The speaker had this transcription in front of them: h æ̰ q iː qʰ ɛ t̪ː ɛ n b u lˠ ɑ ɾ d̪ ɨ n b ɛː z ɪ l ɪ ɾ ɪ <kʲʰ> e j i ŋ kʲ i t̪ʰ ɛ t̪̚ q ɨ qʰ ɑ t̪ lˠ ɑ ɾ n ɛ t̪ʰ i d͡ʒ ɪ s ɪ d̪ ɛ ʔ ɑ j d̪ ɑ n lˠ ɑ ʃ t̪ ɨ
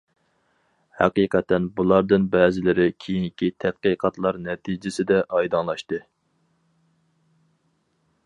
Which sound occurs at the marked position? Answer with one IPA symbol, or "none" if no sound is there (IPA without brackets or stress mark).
kʲʰ